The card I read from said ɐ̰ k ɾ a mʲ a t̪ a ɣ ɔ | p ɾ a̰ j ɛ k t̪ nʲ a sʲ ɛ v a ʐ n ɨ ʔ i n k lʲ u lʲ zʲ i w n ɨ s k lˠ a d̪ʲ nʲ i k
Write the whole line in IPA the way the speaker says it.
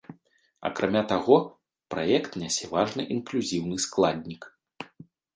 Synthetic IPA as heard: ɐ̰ k ɾ a mʲ a t̪ a ɣ ɔ | p ɾ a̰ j ɛ k t̪ nʲ a sʲ ɛ v a ʐ n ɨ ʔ i n k lʲ u zʲ i w n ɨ s k lˠ a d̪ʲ nʲ i k